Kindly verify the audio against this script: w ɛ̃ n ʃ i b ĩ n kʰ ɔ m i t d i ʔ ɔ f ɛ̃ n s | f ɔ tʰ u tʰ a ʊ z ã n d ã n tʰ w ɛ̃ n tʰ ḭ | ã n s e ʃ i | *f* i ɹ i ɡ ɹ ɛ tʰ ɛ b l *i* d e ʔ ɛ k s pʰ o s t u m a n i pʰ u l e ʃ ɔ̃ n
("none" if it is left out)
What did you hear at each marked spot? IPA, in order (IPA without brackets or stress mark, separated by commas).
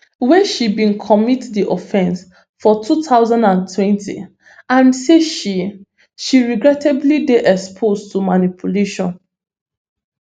ʃ, i